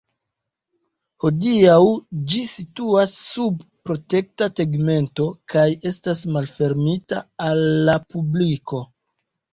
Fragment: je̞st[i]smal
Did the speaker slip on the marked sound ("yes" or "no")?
yes